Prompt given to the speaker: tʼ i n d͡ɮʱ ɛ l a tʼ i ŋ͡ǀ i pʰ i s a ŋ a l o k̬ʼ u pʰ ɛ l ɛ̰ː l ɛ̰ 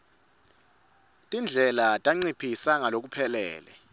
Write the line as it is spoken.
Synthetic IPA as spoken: tʼ i n d͡ɮʱ ɛ l a tʼ a ŋ͡ǀ i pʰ i s a ŋ a l o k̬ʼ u pʰ ɛ l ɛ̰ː l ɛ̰